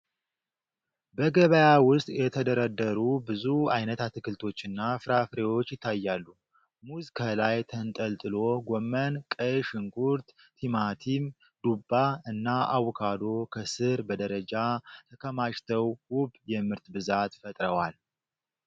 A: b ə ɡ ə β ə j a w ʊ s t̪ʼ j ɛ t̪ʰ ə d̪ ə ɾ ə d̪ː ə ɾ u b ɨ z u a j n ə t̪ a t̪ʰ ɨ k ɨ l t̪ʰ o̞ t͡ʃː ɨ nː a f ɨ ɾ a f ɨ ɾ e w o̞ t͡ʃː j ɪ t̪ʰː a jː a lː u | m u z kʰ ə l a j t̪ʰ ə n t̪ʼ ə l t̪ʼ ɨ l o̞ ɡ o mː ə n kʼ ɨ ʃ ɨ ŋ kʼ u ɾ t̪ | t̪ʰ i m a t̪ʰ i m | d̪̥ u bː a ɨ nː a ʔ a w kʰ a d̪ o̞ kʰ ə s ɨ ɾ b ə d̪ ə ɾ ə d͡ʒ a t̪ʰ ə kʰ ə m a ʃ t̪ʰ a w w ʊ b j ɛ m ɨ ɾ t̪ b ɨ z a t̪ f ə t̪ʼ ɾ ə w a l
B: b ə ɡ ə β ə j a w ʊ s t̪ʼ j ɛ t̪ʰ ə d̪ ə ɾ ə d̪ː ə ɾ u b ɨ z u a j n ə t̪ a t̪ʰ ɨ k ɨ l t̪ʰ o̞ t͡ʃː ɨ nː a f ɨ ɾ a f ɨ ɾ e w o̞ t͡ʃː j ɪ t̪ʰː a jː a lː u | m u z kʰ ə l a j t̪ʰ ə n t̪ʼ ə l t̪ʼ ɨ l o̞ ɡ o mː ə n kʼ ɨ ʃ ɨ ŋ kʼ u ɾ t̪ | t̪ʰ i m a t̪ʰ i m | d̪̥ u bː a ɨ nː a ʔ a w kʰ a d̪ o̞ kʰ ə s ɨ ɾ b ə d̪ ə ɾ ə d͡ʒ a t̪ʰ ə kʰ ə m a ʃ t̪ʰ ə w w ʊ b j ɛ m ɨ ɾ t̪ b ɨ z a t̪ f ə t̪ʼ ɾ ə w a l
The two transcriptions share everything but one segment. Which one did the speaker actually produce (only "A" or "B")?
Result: B